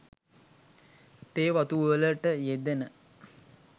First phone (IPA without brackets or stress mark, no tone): t̪